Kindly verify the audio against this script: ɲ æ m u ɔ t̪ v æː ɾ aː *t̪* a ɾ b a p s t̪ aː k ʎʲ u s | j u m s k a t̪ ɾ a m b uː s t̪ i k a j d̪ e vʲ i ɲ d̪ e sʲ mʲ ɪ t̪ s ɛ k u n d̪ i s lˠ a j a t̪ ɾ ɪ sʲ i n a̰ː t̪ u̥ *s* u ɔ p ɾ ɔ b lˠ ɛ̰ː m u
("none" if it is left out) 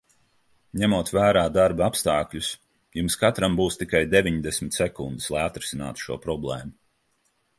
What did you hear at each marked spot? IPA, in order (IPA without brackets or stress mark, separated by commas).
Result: d̪, ʃ